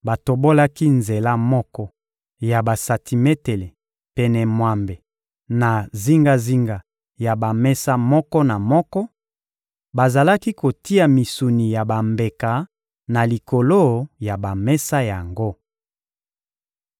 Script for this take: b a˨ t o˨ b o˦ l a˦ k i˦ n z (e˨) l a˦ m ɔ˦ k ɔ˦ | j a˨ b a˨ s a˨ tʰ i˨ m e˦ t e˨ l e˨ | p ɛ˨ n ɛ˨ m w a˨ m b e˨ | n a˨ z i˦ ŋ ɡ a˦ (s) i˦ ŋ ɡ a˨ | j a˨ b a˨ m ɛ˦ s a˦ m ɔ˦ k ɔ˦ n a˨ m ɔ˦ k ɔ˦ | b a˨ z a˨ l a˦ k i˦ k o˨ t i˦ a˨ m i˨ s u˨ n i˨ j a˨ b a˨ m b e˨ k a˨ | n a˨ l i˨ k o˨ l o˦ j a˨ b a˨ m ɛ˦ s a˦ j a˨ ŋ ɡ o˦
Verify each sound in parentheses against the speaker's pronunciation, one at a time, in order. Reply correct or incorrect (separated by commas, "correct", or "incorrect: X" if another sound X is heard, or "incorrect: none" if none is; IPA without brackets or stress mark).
correct, incorrect: z